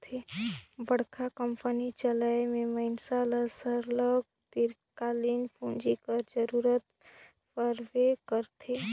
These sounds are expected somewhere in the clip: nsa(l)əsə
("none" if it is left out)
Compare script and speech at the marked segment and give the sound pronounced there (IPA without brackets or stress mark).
l